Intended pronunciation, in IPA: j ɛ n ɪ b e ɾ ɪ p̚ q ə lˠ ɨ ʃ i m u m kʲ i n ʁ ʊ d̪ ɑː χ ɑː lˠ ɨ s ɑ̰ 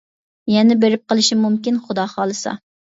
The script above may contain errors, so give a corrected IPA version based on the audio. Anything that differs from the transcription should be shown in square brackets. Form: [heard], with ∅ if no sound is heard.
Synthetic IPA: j ɛ n ɪ b e ɾ ɪ p̚ q ə lˠ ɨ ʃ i m u m kʲ i n [χ] ʊ d̪ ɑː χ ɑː lˠ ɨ s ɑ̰